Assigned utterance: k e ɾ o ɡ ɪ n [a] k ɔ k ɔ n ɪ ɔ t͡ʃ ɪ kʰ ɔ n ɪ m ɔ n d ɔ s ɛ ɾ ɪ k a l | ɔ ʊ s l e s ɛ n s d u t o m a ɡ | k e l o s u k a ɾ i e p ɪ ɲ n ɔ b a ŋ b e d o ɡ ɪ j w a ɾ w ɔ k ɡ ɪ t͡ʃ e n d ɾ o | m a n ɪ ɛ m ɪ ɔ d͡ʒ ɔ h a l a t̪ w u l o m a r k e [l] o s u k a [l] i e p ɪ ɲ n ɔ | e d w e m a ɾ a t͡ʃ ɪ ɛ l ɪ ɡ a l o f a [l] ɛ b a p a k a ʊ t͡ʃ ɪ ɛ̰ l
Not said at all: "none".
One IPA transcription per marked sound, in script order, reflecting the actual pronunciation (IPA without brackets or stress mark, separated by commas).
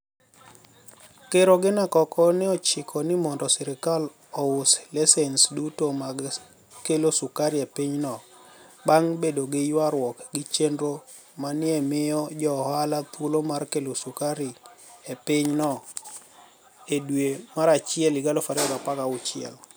a, l, ɾ, ɾ